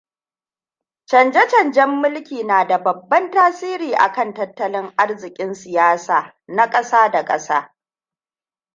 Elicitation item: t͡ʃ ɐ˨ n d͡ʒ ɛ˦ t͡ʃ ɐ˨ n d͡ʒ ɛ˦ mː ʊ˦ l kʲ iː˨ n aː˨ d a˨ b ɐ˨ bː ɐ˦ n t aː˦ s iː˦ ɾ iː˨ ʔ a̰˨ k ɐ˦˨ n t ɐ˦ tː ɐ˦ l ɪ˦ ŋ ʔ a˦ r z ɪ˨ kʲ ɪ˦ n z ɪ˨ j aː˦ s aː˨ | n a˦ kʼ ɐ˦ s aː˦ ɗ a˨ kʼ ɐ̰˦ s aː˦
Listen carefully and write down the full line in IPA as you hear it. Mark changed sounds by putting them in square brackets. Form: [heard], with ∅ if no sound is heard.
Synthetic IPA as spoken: t͡ʃ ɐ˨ n d͡ʒ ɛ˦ t͡ʃ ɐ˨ n d͡ʒ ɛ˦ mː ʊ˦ l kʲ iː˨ n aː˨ d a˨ b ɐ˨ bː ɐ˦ n t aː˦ s iː˦ ɾ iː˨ ʔ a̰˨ k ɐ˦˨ n t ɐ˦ tː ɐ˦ l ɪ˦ ŋ ʔ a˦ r z ɪ˨ [kʲʼ] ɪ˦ n [s] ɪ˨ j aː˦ s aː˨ | n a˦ kʼ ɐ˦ s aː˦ [d] a˨ kʼ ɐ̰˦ s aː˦